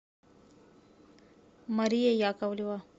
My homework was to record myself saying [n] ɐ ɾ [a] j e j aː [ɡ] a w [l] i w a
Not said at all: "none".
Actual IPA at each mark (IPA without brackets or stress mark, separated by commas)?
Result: m, i, k, l